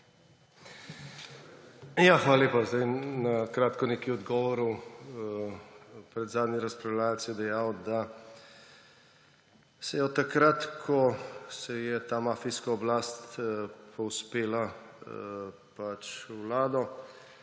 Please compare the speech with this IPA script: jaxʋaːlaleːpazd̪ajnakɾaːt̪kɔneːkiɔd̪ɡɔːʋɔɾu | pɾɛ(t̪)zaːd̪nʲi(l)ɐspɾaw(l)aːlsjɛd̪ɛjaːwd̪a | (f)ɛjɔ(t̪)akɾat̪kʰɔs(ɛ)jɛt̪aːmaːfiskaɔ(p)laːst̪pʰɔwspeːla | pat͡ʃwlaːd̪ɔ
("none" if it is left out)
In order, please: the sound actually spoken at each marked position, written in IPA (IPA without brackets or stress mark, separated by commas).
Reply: d̪, ɾ, l, s, t̪, ɛ, b